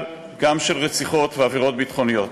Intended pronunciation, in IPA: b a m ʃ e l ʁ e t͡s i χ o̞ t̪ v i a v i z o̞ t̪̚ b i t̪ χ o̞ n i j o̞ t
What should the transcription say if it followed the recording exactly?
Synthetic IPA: ɡ a m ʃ e l ʁ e t͡s i χ o̞ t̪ v e a v i ʁ o̞ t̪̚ b i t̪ χ o̞ n i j o̞ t